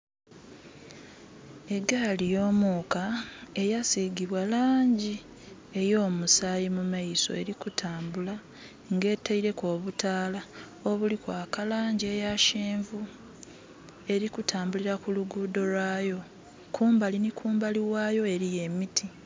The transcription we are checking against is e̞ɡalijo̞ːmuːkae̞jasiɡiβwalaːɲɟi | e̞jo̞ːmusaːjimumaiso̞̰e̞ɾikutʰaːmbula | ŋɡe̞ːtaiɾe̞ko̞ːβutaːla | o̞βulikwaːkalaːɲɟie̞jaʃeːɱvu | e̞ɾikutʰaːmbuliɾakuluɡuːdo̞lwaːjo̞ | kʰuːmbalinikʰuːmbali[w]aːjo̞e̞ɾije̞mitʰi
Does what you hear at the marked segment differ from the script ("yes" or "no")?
no